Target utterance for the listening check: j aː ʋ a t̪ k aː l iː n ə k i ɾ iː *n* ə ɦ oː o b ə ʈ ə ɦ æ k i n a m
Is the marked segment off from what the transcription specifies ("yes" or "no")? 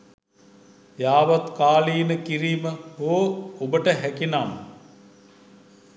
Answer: yes